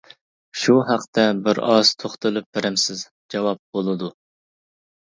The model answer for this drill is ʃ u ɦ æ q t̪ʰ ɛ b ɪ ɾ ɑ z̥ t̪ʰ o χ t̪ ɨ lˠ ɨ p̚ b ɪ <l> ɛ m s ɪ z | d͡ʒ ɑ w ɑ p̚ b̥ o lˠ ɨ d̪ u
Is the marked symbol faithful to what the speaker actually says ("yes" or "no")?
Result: no